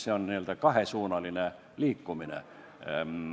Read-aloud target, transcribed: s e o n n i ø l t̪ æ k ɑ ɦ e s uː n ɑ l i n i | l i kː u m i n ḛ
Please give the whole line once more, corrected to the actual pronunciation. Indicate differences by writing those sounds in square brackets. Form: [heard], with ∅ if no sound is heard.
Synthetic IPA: s e o n n i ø l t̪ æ k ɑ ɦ e s uː n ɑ l i n [e] | l [iː] kː u m i n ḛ